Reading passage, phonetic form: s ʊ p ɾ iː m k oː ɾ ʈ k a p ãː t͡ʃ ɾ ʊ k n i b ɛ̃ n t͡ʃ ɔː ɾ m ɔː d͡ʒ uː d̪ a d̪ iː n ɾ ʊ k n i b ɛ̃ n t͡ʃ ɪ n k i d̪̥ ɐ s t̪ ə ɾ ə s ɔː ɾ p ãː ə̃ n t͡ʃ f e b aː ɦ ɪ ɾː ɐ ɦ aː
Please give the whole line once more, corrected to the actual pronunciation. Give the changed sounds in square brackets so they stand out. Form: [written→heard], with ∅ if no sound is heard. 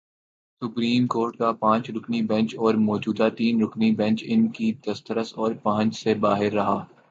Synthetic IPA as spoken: s ʊ p ɾ iː m k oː ɾ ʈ k a p ãː t͡ʃ ɾ ʊ k n i b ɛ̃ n t͡ʃ ɔː ɾ m ɔː d͡ʒ uː d̪ a [d̪→t̪] iː n ɾ ʊ k n i b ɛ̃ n t͡ʃ ɪ n k i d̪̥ ɐ s t̪ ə ɾ ə s ɔː ɾ p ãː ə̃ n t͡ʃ [f→s] e b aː ɦ ɪ ɾː ɐ ɦ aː